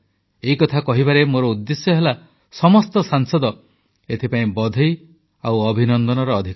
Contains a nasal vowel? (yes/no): yes